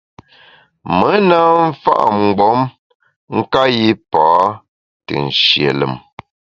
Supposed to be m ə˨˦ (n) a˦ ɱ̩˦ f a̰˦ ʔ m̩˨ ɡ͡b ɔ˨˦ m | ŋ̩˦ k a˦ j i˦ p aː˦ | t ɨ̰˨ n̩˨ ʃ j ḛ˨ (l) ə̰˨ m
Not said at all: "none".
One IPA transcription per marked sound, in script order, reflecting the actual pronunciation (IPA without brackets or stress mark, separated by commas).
n, l